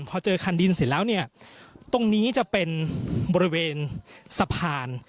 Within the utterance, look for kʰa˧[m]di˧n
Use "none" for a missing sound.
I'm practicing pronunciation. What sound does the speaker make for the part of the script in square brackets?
n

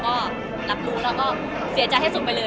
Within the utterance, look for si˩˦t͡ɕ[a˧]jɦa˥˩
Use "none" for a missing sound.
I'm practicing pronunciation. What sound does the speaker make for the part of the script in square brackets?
a˧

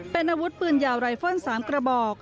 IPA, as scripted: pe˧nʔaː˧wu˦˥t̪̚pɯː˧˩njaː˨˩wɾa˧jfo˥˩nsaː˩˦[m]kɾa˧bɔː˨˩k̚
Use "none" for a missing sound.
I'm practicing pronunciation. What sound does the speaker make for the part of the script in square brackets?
m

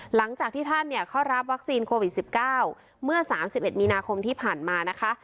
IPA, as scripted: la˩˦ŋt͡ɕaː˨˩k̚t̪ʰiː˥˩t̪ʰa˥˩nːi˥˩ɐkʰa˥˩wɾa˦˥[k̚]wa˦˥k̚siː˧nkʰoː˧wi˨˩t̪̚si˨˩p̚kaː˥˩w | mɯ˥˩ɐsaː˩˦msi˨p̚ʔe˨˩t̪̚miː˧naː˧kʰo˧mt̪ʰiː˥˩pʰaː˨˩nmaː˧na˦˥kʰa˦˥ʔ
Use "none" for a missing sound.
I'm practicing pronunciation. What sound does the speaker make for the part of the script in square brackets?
p̚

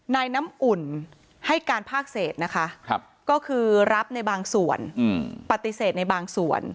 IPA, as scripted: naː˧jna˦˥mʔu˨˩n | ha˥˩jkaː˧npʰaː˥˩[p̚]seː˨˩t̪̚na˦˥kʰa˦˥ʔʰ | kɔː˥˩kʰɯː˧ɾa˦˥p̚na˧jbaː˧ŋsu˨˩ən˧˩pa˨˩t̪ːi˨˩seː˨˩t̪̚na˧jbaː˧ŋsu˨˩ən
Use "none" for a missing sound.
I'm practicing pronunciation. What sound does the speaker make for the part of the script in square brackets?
k̚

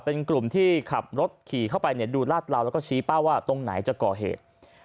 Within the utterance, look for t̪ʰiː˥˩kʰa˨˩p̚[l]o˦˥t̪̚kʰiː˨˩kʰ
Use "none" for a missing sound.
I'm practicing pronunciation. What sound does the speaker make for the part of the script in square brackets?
ɾ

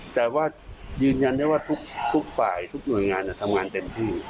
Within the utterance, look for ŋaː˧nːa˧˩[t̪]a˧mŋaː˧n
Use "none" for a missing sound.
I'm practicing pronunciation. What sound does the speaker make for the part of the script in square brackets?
t̪ʰ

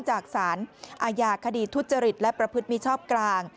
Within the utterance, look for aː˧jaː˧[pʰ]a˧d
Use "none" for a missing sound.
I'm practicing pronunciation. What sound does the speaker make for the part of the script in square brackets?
kʰ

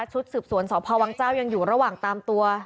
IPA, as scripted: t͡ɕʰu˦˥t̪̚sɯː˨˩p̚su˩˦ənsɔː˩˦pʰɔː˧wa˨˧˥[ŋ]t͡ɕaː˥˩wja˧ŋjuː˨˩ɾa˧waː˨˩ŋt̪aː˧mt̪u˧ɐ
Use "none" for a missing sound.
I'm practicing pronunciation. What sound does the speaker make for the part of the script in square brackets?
ŋ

